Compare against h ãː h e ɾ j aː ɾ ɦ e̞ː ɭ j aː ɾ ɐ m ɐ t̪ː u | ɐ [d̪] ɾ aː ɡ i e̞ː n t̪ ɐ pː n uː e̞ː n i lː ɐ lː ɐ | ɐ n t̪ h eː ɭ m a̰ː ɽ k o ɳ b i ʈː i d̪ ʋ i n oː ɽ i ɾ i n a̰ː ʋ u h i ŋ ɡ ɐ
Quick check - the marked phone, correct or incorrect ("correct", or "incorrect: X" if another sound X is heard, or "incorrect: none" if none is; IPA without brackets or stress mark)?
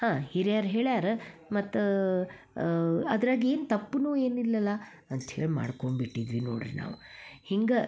correct